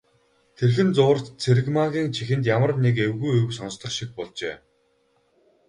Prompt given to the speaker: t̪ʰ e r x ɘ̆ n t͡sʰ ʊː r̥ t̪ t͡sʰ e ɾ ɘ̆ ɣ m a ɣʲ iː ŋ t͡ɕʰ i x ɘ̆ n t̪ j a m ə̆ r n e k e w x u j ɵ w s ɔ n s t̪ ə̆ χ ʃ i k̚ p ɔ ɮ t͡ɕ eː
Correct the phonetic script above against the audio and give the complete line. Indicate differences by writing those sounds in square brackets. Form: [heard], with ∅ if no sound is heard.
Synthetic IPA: t̪ʰ e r x ɘ̆ n [t͡s] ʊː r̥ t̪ t͡sʰ e ɾ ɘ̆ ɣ m a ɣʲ iː ŋ t͡ɕʰ i x ɘ̆ n t̪ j a m ə̆ r n e k e w [ɣ] u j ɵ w s ɔ n s t̪ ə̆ χ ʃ i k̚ p ɔ ɮ t͡ɕ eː